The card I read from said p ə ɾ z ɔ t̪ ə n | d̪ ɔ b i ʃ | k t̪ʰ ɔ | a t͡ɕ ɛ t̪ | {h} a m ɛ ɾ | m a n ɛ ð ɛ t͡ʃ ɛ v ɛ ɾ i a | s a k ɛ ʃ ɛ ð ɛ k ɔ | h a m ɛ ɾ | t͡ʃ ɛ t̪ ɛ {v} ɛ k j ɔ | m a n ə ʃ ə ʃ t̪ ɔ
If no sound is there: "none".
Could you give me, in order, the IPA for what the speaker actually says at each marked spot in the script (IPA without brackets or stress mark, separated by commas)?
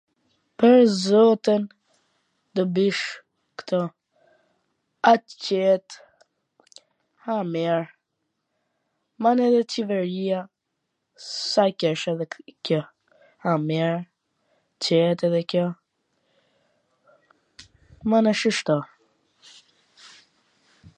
h, ð